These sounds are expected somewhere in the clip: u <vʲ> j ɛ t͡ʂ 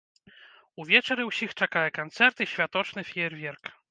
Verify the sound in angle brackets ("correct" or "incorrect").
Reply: correct